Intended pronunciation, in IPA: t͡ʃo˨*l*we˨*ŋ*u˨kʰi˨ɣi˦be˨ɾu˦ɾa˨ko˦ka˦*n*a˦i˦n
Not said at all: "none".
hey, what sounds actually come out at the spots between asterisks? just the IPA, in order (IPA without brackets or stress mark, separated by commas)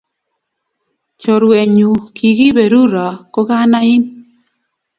ɾ, ɲ, n